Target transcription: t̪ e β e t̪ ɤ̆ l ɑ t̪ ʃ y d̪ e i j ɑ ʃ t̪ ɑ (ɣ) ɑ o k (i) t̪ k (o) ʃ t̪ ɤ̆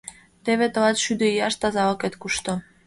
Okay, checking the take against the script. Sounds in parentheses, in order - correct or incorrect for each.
incorrect, incorrect, incorrect

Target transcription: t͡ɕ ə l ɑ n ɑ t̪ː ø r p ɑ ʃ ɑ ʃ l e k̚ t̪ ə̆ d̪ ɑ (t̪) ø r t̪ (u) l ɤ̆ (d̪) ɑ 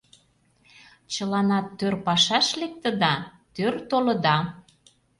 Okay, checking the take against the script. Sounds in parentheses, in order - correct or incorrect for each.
correct, incorrect, correct

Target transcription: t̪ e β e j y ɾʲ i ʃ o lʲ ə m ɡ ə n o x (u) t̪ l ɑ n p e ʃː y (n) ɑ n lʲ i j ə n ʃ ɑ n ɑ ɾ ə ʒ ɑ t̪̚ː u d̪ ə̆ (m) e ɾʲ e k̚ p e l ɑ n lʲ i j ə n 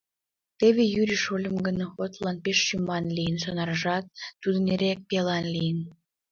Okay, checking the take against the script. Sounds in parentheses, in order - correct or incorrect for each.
incorrect, incorrect, incorrect

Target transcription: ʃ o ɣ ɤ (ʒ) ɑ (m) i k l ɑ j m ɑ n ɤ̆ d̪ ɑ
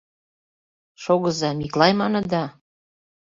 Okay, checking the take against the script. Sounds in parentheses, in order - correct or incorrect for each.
incorrect, correct

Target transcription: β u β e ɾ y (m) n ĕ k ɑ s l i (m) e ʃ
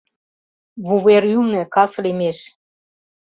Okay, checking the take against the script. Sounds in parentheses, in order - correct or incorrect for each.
correct, correct

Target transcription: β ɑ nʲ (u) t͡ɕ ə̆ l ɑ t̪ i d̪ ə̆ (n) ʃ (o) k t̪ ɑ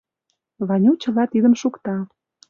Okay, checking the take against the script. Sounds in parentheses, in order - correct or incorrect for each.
correct, incorrect, incorrect

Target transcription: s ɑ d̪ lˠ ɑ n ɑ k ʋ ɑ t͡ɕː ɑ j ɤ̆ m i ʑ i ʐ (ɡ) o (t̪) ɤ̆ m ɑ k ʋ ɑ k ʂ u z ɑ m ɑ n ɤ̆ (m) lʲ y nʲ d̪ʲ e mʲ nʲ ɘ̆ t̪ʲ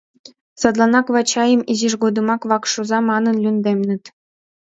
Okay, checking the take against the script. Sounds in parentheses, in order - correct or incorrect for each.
correct, incorrect, incorrect

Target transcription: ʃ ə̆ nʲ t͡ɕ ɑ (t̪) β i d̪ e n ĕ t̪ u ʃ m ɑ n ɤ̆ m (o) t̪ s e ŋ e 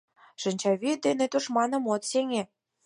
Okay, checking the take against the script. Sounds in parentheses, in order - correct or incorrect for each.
incorrect, correct

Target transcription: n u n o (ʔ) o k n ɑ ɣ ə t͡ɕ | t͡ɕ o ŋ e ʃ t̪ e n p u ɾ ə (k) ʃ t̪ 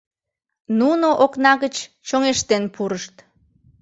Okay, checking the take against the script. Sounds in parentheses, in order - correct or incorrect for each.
correct, incorrect

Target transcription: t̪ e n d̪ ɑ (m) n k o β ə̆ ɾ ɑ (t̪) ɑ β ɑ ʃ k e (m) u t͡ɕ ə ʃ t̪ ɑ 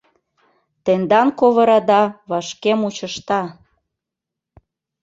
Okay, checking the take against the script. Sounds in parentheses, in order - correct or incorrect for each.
incorrect, incorrect, correct

